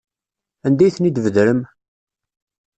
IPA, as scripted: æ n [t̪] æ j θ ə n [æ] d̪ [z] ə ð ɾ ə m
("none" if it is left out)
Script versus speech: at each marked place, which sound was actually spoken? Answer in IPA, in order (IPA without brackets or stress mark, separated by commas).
d̪, i, v